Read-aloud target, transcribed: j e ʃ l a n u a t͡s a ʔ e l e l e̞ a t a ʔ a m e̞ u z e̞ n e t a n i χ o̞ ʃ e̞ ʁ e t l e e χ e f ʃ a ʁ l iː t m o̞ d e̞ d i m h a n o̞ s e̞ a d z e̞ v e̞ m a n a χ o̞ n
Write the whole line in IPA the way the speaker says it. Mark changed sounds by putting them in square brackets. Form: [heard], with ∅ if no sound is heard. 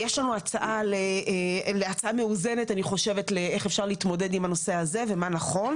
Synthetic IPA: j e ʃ l a n u a t͡s a ʔ [a] l e l e̞ a [t͡s] a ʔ a m e̞ u z e̞ n e t a n i χ o̞ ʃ e̞ [v] e t l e e χ e f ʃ a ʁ l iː t m o̞ d e̞ d i m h a n o̞ s e̞ a [∅] z e̞ v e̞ m a n a χ o̞ n